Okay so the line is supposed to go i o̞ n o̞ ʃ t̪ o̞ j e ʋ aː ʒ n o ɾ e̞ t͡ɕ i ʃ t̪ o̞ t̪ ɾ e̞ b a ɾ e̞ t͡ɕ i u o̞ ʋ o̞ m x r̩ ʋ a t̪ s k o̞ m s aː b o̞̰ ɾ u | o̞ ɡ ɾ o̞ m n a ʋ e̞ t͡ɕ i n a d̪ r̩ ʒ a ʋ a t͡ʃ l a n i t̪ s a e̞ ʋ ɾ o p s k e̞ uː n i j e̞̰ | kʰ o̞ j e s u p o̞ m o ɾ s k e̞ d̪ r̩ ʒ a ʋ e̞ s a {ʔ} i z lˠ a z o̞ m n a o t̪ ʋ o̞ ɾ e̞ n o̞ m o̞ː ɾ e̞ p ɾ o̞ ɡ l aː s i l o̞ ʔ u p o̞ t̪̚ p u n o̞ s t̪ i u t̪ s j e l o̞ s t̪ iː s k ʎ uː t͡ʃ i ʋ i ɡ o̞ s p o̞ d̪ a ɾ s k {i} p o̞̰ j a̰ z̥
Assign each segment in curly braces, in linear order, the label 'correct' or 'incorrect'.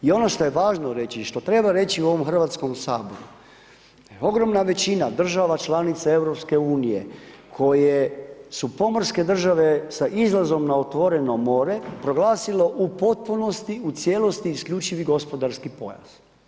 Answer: correct, correct

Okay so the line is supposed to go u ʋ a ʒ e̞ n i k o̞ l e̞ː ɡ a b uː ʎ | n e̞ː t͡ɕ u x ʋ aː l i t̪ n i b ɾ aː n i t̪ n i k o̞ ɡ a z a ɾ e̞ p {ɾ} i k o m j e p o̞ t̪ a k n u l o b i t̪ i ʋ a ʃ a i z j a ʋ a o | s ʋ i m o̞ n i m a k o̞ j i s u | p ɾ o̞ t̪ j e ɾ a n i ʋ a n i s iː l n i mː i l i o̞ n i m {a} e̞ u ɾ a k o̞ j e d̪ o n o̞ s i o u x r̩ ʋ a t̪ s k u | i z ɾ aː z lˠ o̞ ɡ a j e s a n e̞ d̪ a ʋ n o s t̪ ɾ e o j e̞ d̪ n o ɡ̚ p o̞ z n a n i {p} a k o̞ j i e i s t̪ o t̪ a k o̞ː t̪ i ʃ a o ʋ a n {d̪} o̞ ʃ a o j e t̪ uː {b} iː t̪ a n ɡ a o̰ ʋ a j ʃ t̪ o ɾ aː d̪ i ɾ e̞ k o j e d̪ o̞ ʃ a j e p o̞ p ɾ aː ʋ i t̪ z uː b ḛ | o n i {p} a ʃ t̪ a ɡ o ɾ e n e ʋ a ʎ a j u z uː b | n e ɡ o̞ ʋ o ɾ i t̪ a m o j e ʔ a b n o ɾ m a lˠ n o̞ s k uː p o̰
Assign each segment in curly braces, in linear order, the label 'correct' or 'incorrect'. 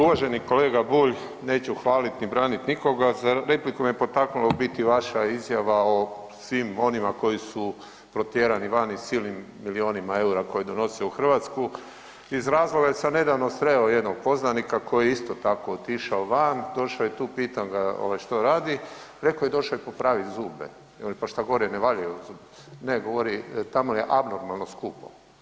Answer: incorrect: l, correct, incorrect: k, correct, incorrect: p, correct

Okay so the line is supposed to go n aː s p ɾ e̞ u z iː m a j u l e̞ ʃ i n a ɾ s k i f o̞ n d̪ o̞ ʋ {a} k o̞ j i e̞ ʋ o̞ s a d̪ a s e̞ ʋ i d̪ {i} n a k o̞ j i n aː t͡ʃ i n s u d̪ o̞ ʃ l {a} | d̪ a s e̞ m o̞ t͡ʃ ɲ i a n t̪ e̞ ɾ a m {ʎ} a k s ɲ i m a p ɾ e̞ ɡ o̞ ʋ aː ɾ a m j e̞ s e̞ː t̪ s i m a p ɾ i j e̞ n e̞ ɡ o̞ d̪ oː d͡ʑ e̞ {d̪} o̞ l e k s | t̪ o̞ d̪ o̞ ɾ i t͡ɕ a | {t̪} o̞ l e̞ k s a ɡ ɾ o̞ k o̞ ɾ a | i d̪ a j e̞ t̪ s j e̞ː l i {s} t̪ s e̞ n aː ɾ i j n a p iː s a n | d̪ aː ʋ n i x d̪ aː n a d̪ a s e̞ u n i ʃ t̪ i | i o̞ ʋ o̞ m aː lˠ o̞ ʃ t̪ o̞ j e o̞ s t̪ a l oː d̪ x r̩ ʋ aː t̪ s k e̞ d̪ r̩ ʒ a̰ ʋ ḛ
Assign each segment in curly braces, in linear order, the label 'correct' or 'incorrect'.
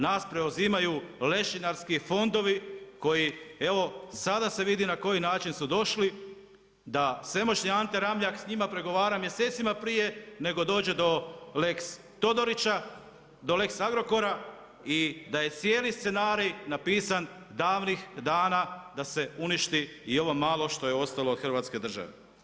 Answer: incorrect: i, correct, incorrect: i, correct, correct, incorrect: d̪, correct

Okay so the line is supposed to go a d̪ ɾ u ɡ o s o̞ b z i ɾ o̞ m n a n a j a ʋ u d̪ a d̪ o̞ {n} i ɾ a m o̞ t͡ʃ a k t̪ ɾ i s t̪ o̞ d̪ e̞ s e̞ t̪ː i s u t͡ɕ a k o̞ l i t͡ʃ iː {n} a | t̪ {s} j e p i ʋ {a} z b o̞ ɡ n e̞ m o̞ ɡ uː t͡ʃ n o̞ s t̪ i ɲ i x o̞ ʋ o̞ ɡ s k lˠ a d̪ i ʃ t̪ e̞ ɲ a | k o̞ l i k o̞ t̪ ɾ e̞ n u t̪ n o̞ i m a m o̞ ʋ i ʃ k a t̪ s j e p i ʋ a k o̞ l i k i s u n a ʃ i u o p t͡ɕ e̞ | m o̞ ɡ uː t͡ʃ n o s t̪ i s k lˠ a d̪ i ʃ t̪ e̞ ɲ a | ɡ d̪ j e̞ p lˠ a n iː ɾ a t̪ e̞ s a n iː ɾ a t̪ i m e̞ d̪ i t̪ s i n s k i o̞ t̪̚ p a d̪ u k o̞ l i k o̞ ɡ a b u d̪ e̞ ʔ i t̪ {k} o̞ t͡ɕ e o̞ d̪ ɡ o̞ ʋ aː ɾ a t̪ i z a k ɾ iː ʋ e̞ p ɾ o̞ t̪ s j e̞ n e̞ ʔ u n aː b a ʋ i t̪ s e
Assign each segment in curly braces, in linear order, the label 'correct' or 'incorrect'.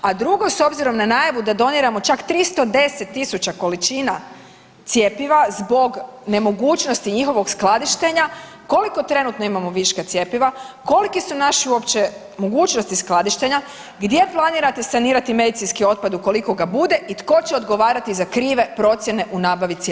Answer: correct, correct, correct, correct, correct

